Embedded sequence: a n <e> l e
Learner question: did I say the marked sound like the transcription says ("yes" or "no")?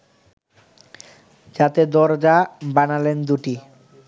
no